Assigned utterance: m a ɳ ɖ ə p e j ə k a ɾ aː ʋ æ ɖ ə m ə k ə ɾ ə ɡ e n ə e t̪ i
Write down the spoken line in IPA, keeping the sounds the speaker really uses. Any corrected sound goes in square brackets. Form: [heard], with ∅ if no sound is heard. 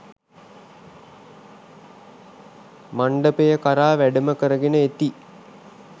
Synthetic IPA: m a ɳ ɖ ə p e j ə k a ɾ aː ʋ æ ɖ ə m ə k ə ɾ ə ɡ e n ə e t̪ i